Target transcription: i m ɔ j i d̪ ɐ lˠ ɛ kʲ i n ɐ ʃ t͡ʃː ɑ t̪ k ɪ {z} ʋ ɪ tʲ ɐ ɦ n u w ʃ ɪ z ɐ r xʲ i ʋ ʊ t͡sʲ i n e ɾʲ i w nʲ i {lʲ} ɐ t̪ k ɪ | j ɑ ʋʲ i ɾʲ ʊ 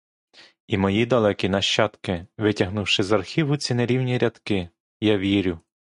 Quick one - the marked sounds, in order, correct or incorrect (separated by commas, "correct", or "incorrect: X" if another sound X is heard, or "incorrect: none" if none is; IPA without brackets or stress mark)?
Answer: incorrect: none, incorrect: ɾʲ